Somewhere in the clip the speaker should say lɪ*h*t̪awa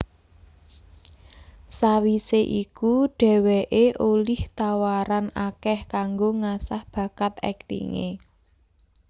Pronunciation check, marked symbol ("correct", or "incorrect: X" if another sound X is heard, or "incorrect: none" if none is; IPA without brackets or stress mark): correct